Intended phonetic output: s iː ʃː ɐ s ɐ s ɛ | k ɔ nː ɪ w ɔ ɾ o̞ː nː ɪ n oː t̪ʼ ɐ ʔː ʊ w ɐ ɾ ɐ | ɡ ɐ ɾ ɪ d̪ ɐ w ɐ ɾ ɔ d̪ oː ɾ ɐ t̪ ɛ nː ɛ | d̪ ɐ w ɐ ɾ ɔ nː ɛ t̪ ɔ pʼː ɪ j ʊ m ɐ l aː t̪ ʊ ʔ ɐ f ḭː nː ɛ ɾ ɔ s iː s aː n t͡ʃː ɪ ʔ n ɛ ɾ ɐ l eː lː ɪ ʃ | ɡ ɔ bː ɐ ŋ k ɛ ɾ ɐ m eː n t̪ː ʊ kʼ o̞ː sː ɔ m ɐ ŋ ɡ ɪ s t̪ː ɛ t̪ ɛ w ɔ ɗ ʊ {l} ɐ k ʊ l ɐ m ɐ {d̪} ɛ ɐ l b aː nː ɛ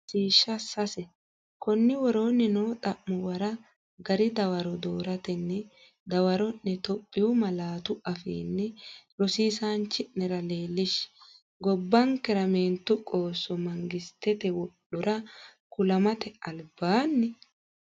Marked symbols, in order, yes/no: no, no

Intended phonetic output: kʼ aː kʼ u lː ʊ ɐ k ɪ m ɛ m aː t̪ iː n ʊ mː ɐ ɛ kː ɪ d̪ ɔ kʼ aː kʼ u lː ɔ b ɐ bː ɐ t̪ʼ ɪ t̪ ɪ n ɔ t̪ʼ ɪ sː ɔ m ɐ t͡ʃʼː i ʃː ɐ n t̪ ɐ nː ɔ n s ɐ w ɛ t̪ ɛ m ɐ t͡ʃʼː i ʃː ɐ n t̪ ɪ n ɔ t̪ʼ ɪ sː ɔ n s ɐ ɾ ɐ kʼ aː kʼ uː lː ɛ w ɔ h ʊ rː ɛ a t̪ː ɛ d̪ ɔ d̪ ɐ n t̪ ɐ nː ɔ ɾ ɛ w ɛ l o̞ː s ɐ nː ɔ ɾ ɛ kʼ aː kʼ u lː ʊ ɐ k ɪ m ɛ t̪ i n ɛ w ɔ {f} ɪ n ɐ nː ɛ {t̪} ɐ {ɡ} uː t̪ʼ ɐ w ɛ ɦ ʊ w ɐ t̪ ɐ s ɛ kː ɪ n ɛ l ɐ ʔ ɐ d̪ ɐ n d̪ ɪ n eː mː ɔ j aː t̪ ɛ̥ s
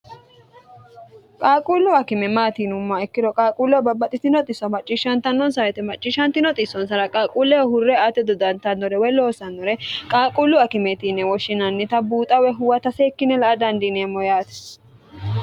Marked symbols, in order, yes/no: no, yes, no

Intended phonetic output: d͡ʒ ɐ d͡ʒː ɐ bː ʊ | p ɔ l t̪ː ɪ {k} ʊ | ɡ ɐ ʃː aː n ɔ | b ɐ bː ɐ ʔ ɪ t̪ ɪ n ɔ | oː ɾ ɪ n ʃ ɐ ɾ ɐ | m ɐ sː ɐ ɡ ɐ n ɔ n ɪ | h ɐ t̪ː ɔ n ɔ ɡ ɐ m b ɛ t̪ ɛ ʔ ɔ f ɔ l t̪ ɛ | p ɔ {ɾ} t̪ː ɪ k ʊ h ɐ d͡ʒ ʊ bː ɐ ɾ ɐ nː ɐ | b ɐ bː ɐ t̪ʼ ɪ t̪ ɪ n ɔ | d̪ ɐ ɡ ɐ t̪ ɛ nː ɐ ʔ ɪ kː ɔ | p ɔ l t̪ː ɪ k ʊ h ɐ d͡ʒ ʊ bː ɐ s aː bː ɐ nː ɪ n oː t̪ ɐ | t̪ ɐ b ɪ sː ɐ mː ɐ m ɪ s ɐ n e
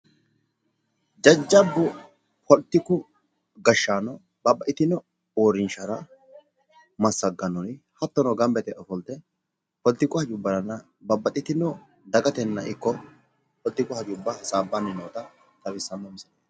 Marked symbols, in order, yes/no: yes, no

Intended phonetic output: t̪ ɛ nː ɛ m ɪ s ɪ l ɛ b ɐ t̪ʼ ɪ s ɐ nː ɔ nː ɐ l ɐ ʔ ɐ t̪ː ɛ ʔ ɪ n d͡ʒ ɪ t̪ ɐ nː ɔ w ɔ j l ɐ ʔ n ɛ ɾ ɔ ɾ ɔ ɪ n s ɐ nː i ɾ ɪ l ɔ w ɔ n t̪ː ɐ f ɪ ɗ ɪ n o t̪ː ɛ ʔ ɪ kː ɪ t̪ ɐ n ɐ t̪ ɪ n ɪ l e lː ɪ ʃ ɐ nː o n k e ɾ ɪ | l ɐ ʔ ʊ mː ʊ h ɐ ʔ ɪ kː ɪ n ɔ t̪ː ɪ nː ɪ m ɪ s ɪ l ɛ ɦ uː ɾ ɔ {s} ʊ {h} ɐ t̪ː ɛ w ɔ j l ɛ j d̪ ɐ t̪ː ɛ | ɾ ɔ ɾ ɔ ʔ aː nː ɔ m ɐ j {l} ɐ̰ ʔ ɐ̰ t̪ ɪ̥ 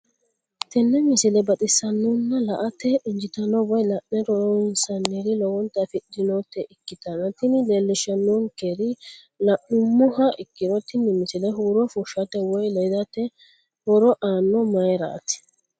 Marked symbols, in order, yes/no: no, no, no

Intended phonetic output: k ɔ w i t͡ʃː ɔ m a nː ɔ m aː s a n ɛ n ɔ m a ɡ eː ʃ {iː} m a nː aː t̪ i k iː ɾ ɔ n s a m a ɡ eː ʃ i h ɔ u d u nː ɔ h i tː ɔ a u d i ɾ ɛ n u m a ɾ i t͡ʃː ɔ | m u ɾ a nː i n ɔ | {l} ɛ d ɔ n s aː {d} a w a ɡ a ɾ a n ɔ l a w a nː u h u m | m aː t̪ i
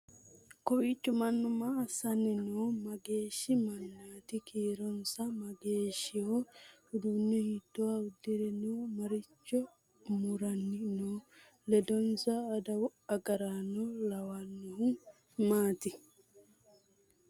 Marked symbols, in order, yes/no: no, yes, yes

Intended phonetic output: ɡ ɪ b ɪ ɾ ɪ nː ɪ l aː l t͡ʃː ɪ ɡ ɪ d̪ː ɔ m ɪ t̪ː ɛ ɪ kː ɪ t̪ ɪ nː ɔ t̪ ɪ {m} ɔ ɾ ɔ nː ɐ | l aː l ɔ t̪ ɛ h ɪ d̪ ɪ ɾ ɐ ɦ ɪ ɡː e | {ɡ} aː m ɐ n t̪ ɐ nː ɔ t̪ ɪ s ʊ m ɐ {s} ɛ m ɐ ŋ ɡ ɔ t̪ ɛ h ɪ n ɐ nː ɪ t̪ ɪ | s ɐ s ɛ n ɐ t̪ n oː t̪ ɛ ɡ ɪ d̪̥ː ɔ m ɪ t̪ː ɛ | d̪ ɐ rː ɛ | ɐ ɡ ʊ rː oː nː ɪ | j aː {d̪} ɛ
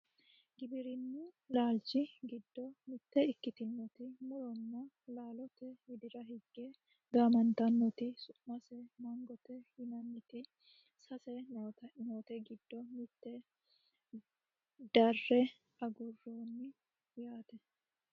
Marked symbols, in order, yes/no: yes, yes, yes, no

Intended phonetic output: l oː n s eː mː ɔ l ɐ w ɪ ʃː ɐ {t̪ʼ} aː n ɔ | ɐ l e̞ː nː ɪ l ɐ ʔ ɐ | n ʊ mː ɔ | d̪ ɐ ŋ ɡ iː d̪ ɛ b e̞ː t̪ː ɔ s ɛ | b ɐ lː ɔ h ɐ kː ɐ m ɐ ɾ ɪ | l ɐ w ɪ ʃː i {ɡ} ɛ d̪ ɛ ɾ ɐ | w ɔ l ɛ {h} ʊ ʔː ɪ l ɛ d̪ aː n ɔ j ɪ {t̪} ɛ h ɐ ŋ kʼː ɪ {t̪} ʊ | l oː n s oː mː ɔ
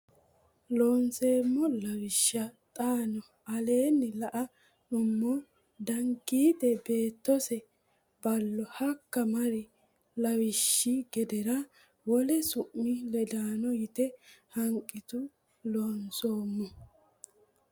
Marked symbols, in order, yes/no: yes, yes, no, yes, yes

